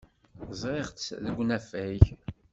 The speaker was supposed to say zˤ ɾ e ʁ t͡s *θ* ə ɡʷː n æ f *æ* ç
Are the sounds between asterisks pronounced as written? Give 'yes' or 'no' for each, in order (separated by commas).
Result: no, yes